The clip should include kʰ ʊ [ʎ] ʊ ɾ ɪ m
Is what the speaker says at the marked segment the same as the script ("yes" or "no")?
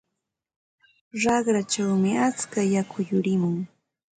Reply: no